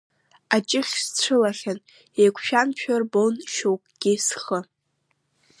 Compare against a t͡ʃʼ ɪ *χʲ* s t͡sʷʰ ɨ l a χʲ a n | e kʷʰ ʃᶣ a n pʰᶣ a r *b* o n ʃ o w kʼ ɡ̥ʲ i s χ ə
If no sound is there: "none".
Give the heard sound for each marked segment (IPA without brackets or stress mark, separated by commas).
χʲ, b